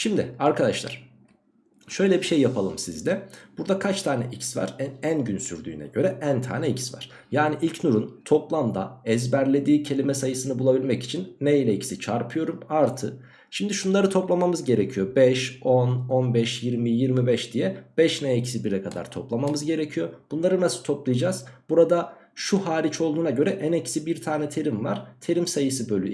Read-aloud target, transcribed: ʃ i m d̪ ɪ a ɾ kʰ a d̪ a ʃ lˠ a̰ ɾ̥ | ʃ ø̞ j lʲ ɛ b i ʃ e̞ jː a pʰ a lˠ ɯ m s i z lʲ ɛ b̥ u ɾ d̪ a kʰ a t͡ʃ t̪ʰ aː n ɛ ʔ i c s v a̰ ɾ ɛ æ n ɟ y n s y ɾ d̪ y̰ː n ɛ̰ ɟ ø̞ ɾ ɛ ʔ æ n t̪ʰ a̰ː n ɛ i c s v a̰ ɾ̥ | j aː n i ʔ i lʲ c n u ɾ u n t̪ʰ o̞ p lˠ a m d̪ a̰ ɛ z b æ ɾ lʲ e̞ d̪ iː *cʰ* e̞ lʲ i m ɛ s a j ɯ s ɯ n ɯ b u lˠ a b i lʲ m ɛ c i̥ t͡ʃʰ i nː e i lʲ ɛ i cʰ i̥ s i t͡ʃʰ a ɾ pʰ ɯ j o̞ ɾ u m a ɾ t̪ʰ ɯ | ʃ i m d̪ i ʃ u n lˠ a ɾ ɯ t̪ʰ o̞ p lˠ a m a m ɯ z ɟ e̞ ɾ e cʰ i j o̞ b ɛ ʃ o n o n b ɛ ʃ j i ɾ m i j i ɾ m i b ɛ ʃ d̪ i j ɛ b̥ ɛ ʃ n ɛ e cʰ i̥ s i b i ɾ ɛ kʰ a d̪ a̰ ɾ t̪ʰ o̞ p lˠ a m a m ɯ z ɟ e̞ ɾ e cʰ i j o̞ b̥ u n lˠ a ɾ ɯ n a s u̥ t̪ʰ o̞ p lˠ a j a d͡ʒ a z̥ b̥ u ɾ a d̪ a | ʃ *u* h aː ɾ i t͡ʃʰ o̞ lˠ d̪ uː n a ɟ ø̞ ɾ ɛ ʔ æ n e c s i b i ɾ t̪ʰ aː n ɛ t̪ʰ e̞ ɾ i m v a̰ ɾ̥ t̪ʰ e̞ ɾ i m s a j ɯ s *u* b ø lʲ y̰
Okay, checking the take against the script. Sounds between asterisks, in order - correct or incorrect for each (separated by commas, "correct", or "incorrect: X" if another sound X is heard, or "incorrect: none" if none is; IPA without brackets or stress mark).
correct, correct, incorrect: ɯ